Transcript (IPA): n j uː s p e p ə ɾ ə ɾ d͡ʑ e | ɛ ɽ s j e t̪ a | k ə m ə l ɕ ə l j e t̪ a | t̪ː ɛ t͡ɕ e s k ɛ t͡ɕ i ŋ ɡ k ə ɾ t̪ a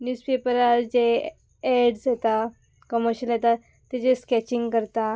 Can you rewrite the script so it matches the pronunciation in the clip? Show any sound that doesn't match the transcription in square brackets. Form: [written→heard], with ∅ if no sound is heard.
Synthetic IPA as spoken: n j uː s p e p ə ɾ [ə→a] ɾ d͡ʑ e | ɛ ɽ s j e t̪ a | k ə m ə [l→ɾ] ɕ ə l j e t̪ a | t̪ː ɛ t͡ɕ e s k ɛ t͡ɕ i ŋ ɡ k ə ɾ t̪ a